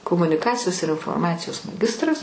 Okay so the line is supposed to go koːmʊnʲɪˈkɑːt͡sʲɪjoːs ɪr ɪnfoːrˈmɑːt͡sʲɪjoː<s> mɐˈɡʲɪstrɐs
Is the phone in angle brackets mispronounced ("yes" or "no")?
no